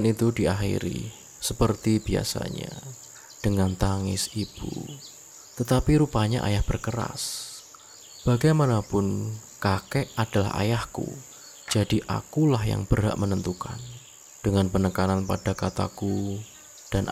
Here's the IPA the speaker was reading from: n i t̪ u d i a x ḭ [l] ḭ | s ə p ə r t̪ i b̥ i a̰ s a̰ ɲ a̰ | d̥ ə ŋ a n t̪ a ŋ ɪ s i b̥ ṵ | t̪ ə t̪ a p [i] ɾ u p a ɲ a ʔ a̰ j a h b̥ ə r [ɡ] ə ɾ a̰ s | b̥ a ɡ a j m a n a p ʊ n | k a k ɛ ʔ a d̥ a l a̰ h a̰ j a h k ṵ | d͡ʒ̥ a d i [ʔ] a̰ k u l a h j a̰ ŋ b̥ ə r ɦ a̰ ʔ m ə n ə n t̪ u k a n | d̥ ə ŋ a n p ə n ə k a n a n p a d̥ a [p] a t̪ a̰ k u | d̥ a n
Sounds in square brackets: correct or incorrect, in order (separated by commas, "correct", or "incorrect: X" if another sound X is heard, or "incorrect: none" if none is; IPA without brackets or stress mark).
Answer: incorrect: ɾ, correct, incorrect: k, correct, incorrect: k